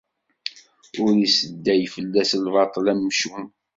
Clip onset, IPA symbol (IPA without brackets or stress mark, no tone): ʊ